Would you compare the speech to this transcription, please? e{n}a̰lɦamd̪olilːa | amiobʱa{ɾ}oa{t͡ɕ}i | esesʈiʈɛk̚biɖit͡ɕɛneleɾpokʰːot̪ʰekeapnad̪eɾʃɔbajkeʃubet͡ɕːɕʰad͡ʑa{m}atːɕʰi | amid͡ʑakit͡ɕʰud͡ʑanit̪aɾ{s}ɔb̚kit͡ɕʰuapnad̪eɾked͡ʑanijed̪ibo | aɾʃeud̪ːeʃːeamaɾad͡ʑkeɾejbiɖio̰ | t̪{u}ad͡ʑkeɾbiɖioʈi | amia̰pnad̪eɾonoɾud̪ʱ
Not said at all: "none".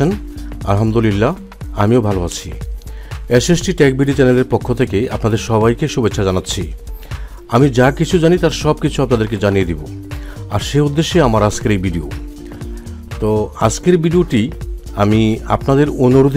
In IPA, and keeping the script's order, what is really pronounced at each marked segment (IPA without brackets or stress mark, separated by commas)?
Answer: n, l, t͡ɕʰ, n, ʃ, o